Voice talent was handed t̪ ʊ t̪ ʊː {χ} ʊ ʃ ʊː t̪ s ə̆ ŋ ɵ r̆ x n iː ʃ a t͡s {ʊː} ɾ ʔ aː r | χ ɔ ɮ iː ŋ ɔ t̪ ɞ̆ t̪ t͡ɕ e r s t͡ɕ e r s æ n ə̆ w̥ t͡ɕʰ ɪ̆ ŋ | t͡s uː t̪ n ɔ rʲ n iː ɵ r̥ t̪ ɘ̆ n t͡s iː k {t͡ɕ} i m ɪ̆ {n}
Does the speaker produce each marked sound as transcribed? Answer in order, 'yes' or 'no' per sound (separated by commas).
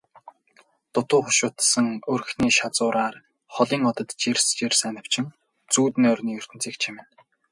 yes, yes, no, yes